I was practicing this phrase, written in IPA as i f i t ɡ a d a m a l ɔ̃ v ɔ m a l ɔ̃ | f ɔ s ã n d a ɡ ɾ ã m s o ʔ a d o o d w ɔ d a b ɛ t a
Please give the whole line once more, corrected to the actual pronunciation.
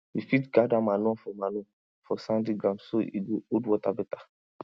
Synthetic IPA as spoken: i f i t ɡ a d a m a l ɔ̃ f ɔ m a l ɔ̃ | f ɔ s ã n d i ɡ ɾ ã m s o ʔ i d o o d w ɔ t a b ɛ t a